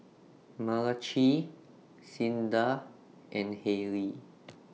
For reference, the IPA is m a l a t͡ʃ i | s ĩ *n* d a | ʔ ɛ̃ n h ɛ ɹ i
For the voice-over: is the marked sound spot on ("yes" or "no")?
yes